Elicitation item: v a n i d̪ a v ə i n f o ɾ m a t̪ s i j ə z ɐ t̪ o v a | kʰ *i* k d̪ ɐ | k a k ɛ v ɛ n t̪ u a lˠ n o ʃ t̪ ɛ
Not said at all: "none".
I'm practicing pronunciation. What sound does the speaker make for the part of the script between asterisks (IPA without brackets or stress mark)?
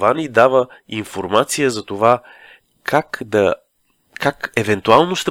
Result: a